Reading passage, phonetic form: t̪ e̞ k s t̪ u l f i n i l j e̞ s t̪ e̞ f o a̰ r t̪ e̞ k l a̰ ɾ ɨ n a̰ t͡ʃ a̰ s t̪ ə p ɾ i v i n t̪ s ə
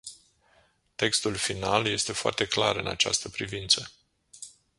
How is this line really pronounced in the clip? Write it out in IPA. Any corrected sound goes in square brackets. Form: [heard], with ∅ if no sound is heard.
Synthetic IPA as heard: t̪ e̞ k s t̪ u l f i n [a] l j e̞ s t̪ e̞ f o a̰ r t̪ e̞ k l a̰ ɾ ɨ n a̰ t͡ʃ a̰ s t̪ ə p ɾ i v i n t̪ s ə